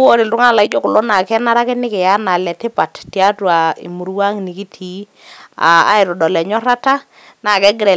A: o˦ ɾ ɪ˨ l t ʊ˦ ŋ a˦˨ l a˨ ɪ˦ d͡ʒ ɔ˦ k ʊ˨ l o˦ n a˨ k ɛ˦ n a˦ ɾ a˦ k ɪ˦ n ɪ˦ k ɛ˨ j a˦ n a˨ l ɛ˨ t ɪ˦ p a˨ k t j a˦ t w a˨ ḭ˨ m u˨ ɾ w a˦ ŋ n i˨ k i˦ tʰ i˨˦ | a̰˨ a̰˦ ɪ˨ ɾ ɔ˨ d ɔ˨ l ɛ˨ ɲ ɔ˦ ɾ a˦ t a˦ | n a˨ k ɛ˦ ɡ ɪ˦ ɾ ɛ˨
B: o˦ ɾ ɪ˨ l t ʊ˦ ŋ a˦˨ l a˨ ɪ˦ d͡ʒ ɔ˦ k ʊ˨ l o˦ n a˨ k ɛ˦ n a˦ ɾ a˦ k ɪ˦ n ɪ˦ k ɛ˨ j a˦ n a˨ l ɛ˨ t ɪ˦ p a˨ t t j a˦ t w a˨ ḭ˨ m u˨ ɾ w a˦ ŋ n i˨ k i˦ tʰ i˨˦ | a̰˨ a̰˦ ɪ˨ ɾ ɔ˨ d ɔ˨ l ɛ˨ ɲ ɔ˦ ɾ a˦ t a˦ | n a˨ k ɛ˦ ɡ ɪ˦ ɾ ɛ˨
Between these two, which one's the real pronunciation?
B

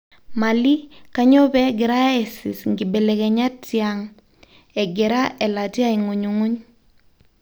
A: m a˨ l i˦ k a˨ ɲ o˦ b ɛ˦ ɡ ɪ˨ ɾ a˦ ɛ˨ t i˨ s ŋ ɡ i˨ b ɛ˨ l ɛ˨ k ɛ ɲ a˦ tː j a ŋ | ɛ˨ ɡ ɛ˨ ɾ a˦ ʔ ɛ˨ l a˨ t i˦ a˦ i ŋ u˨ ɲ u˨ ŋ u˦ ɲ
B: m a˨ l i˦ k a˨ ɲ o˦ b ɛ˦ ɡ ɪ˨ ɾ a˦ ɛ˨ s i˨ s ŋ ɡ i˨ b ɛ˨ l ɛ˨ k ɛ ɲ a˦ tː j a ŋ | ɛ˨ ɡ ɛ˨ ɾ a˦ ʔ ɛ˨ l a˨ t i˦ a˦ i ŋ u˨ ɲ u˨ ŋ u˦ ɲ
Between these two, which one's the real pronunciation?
B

